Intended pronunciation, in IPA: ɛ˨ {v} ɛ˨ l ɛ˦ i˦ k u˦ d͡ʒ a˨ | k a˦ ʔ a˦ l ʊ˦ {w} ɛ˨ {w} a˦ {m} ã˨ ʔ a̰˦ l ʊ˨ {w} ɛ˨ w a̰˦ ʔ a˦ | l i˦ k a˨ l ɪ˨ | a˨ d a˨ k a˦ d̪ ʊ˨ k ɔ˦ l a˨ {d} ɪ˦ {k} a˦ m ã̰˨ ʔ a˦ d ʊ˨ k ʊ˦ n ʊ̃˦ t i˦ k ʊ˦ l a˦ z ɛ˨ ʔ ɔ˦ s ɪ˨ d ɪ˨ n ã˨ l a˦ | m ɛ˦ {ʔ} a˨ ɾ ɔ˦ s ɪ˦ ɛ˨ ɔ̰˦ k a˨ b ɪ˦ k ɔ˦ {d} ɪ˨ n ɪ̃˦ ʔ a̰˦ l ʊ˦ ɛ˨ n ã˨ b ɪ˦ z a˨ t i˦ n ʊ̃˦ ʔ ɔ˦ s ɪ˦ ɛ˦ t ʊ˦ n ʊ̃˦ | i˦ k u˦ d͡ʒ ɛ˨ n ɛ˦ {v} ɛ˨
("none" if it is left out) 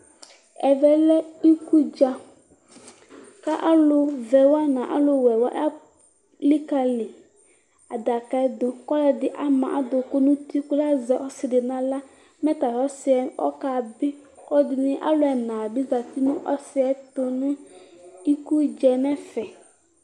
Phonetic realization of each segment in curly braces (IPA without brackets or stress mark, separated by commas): v, v, w, n, w, d, ʔ, t, d, f